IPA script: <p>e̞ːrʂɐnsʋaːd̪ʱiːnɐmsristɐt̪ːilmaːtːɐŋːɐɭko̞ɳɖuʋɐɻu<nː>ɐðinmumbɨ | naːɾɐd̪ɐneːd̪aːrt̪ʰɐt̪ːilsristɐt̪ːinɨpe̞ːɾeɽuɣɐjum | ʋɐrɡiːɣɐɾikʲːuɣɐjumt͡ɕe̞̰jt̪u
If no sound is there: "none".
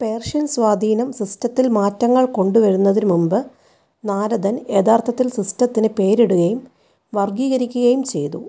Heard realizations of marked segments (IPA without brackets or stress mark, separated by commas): p, nː